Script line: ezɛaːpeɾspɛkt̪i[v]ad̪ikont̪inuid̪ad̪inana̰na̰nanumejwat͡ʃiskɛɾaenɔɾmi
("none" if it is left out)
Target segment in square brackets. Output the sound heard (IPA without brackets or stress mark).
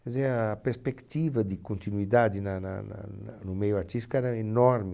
v